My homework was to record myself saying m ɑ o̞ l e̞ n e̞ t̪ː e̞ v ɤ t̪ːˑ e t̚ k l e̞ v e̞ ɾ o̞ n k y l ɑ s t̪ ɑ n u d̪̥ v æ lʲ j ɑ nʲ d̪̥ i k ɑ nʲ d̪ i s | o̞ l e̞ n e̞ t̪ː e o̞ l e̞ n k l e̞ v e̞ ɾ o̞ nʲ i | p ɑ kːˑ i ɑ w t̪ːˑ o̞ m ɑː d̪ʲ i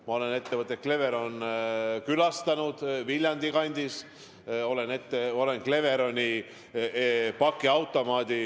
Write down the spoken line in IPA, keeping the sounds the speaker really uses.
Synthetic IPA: m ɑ o̞ l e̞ n e̞ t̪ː e̞ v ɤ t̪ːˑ e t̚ k l e̞ v e̞ ɾ o̞ n k y l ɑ s t̪ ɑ n u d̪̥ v i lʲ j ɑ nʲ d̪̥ i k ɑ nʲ d̪ i s | o̞ l e̞ n e̞ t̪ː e o̞ l e̞ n k l e̞ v e̞ ɾ o̞ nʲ i | p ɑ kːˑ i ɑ w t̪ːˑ o̞ m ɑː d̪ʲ i